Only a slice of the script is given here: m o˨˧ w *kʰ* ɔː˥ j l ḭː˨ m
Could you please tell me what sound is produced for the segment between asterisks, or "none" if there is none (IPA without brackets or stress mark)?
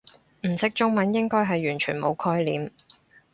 kʰ